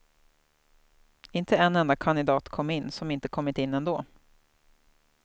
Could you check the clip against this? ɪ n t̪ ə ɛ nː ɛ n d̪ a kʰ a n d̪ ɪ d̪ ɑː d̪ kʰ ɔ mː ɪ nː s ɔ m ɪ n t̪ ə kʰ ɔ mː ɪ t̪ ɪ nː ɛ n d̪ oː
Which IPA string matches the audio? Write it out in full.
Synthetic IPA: ɪ n t̪ ə ɛ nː ɛ n d̪ a kʰ a n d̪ ɪ d̪ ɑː t̪ kʰ ɔ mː ɪ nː s ɔ m ɪ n t̪ ə kʰ ɔ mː ɪ t̪ ɪ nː ɛ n d̪ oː